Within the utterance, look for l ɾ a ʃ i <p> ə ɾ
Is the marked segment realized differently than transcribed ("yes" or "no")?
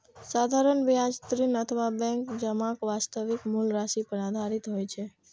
no